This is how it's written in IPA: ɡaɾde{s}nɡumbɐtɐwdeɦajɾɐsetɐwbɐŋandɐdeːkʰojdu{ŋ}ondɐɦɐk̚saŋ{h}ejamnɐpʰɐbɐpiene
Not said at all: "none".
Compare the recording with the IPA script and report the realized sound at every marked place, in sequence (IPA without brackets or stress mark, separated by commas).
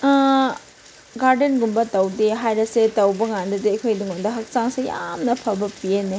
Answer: none, ŋ, s